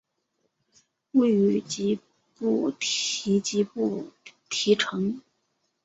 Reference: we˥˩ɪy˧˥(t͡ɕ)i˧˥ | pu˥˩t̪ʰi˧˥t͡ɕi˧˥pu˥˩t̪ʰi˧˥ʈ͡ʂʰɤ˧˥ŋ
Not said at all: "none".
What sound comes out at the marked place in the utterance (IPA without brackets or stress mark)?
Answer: t͡ɕ